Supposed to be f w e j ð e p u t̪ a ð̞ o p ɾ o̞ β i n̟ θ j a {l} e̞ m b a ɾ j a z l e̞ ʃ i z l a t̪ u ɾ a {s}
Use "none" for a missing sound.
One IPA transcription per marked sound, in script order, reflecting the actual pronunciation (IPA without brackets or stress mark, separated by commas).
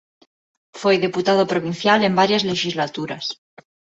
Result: l, s